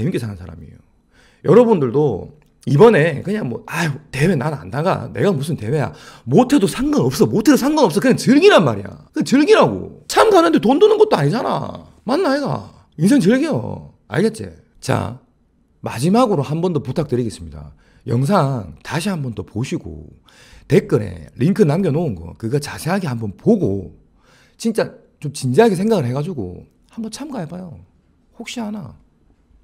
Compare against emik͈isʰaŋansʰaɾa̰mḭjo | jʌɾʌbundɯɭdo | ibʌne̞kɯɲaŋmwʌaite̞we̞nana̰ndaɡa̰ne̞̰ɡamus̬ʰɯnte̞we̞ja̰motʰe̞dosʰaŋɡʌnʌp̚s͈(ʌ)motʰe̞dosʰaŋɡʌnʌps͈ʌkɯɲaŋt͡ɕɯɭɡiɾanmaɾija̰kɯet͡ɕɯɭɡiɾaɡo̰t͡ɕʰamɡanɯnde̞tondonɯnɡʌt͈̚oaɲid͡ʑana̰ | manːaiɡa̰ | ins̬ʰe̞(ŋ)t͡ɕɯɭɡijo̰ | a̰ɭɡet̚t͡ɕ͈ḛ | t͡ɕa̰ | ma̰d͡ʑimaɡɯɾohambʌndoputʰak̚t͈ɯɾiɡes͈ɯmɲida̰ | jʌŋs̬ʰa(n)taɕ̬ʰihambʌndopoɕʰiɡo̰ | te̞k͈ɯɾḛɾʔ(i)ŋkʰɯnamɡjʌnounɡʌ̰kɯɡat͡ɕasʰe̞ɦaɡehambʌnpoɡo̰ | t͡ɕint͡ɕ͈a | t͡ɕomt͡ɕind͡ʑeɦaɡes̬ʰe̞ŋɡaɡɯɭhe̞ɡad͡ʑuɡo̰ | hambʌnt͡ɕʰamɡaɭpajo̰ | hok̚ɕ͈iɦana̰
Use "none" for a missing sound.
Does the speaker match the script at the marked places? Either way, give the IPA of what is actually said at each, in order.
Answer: ʌ, ŋ, ŋ, i

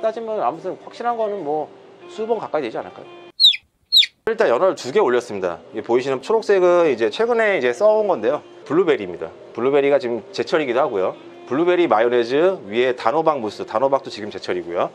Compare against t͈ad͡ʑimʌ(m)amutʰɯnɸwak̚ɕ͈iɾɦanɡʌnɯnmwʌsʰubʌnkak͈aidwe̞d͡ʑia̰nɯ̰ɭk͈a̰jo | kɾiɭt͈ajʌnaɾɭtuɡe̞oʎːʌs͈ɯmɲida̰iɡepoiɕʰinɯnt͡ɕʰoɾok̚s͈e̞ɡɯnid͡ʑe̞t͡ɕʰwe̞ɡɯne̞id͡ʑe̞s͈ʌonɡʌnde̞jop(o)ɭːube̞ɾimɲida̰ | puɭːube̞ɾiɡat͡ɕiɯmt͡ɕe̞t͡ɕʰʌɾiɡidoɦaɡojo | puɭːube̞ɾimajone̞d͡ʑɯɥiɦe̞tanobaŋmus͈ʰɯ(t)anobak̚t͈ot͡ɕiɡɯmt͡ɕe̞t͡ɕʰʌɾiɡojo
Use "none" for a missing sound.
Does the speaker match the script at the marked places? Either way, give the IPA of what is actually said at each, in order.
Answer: n, u, t

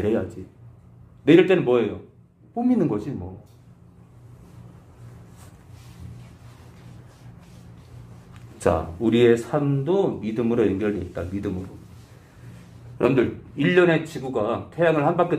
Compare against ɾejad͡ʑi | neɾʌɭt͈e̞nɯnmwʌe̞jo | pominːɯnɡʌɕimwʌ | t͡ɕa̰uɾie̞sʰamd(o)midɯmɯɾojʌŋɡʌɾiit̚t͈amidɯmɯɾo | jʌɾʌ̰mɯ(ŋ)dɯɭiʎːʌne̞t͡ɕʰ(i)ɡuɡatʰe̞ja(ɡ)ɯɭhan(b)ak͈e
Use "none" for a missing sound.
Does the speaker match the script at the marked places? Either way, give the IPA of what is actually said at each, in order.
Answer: o, n, i, ŋ, b

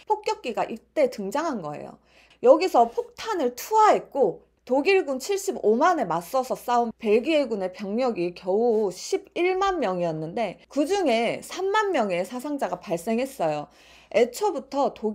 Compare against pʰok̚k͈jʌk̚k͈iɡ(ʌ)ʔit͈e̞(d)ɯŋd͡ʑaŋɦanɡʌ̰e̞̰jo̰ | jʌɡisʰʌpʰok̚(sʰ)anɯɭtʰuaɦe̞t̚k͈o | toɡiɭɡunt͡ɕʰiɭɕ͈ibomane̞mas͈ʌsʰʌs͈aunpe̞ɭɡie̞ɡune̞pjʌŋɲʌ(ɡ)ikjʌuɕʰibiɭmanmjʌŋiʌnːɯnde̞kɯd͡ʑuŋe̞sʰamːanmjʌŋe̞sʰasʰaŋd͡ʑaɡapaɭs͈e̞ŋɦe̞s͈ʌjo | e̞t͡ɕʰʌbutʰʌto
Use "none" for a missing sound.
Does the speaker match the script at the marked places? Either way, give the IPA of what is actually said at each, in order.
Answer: a, t, tʰ, ɡ

